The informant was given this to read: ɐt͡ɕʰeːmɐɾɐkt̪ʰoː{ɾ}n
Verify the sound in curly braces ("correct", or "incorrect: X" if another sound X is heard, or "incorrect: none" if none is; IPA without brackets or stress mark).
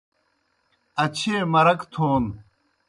incorrect: none